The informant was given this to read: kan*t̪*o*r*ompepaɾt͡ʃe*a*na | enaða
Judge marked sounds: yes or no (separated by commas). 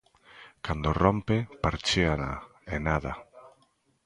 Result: no, yes, yes